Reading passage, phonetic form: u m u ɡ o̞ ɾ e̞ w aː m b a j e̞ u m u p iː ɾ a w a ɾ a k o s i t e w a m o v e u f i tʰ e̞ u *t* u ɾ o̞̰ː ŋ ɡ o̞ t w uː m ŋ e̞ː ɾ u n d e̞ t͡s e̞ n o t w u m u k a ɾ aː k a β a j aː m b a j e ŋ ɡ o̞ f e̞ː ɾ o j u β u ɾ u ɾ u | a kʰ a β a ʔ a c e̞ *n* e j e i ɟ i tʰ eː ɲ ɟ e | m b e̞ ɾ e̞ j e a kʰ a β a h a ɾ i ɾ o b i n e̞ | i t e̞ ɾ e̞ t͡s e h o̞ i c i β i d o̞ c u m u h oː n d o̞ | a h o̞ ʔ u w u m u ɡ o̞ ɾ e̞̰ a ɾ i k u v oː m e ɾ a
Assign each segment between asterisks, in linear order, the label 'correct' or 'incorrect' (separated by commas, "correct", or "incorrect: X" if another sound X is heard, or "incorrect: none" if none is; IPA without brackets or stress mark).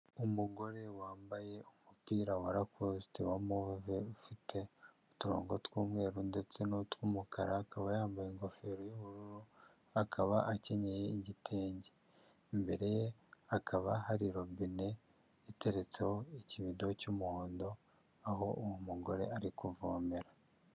correct, incorrect: ɲ